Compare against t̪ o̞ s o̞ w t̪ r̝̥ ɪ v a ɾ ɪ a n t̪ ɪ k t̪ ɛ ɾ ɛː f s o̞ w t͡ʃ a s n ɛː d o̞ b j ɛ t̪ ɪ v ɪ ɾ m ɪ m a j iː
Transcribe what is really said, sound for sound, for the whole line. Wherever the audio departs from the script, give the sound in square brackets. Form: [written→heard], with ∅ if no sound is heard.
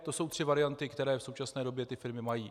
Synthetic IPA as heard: t̪ o̞ s o̞ w t̪ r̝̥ ɪ v a ɾ ɪ a n t̪ ɪ k t̪ ɛ ɾ ɛː f s o̞ w t͡ʃ a s n ɛː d o̞ b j ɛ t̪ ɪ [v→f] ɪ ɾ m ɪ m a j iː